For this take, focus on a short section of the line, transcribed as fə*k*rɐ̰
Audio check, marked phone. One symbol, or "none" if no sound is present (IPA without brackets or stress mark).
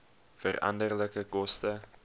none